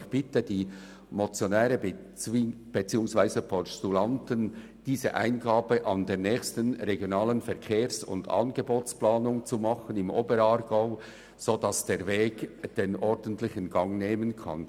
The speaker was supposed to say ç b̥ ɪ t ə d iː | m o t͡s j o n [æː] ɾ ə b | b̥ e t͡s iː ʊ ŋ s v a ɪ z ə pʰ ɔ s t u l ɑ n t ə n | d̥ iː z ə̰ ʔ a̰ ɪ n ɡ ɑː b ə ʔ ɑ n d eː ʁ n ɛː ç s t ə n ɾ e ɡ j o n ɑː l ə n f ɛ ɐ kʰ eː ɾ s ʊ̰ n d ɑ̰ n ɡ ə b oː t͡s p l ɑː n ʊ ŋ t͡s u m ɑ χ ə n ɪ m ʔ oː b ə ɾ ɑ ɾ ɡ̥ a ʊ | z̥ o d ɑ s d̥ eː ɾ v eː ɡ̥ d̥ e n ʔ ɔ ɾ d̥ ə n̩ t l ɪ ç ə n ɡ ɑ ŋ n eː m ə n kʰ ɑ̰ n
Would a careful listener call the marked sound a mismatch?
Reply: yes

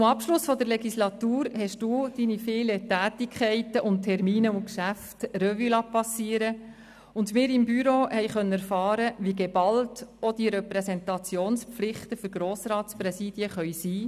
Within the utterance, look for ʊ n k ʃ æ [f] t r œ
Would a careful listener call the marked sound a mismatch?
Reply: no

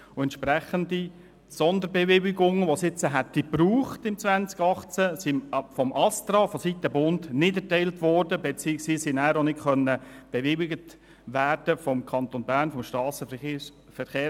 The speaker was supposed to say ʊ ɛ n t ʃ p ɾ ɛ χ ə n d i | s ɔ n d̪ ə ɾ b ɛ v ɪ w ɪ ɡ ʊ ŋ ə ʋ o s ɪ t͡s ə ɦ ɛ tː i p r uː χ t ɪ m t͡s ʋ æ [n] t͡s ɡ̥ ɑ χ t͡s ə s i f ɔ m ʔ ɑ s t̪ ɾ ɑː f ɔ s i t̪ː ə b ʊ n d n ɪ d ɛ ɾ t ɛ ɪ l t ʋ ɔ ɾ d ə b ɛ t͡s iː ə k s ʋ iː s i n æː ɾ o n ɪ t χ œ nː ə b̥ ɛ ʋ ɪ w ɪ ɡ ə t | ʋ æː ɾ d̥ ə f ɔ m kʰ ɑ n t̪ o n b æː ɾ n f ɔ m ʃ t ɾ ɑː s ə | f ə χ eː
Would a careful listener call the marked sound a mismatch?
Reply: no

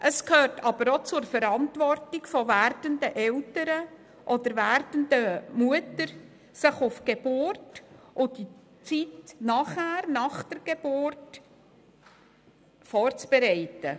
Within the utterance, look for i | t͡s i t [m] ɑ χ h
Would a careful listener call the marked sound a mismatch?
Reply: yes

